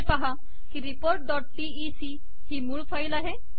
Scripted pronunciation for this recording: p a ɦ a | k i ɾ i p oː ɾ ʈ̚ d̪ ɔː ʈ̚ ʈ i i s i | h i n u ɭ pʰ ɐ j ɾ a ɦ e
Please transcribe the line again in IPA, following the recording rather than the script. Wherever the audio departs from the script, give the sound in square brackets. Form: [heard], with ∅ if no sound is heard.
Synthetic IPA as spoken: p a ɦ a | k i ɾ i p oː ɾ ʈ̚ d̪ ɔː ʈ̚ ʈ i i s i | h i [m] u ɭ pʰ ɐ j [l] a ɦ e